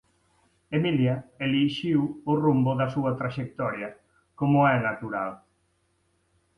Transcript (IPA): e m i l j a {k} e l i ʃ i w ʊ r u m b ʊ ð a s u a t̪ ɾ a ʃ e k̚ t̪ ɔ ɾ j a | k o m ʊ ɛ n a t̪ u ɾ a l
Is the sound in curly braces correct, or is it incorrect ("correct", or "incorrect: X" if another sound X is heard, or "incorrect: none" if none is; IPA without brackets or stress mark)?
incorrect: none